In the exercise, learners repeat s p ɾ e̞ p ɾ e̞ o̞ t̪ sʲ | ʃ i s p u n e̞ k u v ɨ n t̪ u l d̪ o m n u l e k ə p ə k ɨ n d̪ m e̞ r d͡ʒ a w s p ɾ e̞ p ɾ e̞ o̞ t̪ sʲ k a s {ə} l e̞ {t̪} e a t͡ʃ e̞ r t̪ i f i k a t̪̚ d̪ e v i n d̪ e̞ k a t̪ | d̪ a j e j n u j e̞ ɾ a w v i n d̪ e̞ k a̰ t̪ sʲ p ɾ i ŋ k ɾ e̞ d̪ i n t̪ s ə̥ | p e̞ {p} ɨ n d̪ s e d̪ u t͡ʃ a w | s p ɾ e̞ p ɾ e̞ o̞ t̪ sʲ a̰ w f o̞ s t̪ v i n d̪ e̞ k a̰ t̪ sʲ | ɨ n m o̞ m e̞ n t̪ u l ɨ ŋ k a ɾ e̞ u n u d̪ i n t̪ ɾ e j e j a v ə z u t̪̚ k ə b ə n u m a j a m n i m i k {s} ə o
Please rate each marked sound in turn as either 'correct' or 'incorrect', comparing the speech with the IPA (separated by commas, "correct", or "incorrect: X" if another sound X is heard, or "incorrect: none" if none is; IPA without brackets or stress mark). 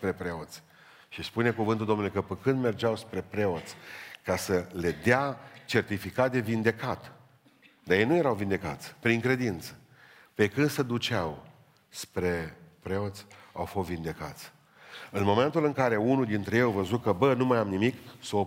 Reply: correct, incorrect: d̪, incorrect: k, correct